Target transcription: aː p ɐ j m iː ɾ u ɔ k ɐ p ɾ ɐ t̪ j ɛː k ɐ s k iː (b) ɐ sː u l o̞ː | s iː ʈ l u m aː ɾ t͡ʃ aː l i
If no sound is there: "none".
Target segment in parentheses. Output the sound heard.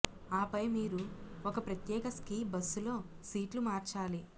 b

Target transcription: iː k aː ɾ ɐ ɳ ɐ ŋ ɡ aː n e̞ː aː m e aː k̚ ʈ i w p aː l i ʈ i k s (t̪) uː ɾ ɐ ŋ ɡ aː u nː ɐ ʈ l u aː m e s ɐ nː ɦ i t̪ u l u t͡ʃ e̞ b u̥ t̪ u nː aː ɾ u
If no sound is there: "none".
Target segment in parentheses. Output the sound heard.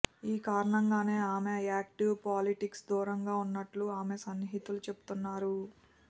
d̪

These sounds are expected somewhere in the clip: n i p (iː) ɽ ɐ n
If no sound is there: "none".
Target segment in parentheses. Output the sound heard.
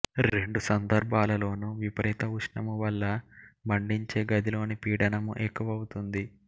iː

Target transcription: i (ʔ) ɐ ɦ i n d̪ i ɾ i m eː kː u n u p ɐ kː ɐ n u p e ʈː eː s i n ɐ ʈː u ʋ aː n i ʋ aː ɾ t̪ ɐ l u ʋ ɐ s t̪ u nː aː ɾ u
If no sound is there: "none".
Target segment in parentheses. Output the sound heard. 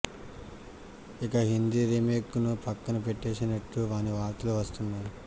k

